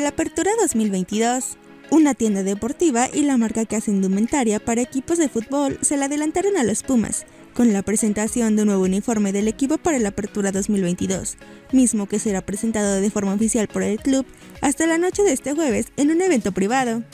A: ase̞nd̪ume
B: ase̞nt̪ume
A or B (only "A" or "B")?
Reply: A